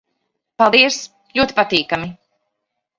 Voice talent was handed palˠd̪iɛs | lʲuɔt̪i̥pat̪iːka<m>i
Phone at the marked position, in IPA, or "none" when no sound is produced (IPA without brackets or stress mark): m